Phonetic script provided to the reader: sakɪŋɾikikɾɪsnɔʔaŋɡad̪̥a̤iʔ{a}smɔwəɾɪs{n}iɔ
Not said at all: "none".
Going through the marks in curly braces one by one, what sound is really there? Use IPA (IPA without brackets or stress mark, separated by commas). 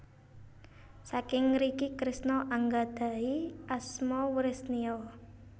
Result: a, n